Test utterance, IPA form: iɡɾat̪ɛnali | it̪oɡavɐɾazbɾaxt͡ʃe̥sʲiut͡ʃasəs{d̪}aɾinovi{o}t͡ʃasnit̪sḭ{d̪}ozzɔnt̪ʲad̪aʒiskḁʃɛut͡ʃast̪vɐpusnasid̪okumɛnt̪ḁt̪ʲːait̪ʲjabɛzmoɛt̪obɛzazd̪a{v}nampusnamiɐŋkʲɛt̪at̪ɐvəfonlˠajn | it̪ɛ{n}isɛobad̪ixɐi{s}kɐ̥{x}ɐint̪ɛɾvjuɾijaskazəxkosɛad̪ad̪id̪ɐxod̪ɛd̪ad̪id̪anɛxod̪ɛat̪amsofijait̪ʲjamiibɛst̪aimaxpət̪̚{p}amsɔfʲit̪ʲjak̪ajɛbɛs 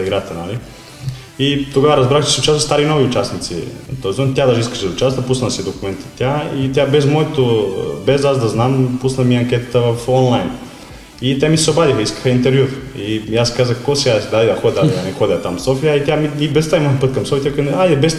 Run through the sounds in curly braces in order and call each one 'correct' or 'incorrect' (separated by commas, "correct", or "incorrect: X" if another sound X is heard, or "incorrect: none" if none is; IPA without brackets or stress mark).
incorrect: t̪, incorrect: u, incorrect: t̪, incorrect: z, incorrect: m, correct, correct, incorrect: k